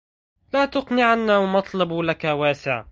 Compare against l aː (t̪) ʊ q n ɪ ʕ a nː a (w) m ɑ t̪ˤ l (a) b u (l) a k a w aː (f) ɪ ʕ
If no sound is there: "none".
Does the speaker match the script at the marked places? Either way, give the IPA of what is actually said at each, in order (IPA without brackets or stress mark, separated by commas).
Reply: t̪, w, ɑ, l, s